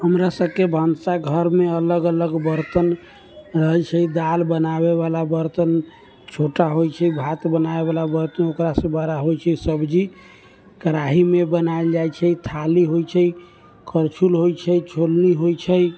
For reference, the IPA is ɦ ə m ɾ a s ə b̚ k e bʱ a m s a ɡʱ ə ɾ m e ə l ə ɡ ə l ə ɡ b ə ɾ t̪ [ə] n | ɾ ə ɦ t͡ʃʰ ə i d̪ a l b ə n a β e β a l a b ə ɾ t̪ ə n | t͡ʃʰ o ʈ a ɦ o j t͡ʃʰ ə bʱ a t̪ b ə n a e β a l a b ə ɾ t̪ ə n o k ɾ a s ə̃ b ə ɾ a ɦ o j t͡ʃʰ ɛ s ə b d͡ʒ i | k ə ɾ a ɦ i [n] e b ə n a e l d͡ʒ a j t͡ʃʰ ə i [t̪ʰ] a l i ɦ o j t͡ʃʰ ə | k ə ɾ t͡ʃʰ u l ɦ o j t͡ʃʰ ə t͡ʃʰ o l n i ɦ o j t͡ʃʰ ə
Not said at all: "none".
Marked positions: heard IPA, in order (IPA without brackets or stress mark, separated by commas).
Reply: ə, m, t̪ʰ